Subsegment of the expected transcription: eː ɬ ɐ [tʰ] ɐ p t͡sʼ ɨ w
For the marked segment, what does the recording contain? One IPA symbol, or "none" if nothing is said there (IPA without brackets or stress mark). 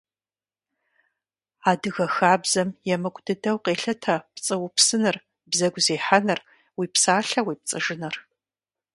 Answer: tʰ